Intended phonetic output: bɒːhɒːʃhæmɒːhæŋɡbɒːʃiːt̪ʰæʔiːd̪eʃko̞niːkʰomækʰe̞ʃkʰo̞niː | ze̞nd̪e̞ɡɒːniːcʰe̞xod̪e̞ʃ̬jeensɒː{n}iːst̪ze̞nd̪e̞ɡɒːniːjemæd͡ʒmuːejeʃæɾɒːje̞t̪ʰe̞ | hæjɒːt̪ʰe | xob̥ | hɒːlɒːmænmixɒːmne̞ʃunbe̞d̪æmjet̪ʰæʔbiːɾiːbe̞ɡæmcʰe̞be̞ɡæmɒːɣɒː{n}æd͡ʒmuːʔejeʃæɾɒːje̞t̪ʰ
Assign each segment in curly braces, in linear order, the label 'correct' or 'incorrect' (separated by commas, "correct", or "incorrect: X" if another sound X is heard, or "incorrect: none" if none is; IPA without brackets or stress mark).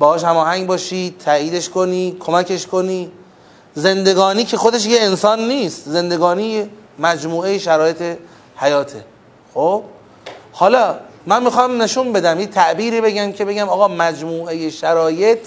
incorrect: nː, incorrect: m